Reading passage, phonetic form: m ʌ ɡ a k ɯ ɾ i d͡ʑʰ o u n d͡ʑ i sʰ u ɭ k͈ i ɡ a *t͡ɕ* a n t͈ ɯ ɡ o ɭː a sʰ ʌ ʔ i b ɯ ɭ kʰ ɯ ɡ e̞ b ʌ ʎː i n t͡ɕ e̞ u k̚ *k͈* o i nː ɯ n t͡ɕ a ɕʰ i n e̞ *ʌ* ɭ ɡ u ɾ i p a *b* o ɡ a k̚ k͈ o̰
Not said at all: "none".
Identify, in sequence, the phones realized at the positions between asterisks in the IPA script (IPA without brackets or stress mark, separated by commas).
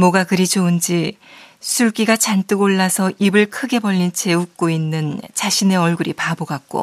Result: t͡ɕ, k͈, ʌ, b